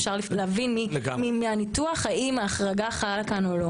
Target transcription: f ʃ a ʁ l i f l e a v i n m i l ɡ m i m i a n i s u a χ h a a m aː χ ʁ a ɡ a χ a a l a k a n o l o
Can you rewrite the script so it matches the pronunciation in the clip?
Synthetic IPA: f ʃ a ʁ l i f l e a v i n m i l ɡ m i m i a n i t u a χ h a i m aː χ ʁ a ɡ a χ a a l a k a n o l o